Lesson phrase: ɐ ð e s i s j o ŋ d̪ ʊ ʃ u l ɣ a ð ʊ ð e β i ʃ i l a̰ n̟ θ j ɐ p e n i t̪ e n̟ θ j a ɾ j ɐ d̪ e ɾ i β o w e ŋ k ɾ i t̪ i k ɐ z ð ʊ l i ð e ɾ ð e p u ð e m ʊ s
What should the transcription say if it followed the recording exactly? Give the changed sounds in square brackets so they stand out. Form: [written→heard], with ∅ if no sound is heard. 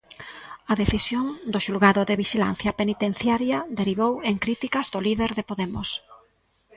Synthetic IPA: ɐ ð e [s→θ] i s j o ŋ d̪ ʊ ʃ u l ɣ a ð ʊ ð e β i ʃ i l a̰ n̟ θ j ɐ p e n i t̪ e n̟ θ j a ɾ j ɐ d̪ e ɾ i β o w e ŋ k ɾ i t̪ i k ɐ z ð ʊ l i ð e ɾ ð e p [u→o] ð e m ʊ s